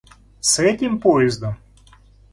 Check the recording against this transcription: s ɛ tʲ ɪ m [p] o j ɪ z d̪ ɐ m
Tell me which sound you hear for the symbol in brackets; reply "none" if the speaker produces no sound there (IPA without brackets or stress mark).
p